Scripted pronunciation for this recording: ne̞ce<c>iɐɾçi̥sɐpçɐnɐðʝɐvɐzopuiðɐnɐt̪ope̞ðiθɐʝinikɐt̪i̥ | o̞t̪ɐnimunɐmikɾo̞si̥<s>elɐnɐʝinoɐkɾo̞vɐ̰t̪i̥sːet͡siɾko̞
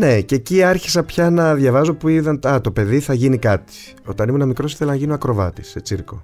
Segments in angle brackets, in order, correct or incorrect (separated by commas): correct, incorrect